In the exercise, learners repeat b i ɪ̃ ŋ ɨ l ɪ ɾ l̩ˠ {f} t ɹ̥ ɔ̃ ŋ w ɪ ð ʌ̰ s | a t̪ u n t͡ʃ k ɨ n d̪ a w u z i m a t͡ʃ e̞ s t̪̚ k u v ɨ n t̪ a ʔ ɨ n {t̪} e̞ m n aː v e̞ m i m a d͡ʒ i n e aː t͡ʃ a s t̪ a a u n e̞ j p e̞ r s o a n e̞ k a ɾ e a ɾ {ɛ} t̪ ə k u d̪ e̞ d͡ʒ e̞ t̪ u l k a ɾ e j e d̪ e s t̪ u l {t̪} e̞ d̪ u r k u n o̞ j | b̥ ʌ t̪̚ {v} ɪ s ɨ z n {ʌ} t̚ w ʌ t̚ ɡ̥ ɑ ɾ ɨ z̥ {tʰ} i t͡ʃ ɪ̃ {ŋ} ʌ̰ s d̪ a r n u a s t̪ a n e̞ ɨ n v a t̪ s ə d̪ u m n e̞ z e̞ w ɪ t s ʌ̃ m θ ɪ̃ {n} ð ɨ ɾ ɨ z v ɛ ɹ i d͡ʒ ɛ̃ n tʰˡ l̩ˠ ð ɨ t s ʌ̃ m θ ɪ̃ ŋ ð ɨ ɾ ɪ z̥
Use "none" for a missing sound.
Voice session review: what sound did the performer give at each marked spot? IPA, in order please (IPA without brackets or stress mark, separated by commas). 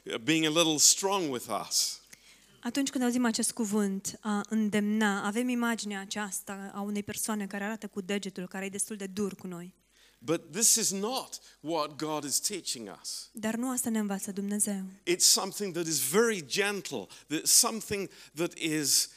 s, d̪, a, d̪, ð, ə, tʰ, ŋ, ŋ